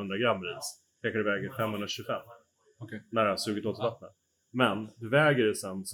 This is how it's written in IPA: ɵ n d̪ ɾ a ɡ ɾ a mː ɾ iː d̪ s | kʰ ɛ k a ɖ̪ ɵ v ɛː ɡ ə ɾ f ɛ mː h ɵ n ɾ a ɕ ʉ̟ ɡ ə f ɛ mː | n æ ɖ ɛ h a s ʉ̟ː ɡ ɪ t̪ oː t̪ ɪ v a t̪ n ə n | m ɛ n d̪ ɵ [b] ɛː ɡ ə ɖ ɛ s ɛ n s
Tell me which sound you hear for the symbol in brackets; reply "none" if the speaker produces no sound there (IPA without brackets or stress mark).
v